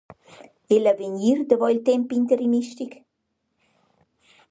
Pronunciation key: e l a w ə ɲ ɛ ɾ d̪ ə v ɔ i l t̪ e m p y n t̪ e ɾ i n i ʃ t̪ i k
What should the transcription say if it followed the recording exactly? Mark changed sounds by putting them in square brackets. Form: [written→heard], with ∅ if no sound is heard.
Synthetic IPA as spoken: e l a [w→v] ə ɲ [ɛ→i] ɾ d̪ ə v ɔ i l t̪ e m p [y→i] n t̪ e ɾ i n i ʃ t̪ i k